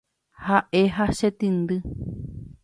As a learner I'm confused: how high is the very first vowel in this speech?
low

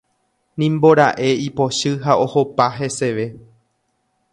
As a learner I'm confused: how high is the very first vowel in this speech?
high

